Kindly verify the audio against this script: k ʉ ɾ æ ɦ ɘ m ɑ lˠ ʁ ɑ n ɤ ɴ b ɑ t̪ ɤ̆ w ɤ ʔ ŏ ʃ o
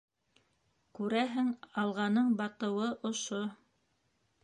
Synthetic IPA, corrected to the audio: k ʉ ɾ æ ɦ ɘ ŋ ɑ lˠ ʁ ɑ n ɤ ɴ b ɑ t̪ ɤ̆ w ɤ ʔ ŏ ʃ o